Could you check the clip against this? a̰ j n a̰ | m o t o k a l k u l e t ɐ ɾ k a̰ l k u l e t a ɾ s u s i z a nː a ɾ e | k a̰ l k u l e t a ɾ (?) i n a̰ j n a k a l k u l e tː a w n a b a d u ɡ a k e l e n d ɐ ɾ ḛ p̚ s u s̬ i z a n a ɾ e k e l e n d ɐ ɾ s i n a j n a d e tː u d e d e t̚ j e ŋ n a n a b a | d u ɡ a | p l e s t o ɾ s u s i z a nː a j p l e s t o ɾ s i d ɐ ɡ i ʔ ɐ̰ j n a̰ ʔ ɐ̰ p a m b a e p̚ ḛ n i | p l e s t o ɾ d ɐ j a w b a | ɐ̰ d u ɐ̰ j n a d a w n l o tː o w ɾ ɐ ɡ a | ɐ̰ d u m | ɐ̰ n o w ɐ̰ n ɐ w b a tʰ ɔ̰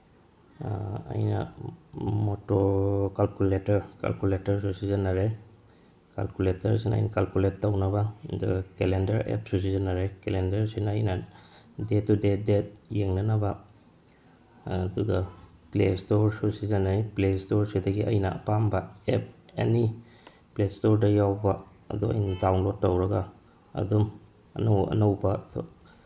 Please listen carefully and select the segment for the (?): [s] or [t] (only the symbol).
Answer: s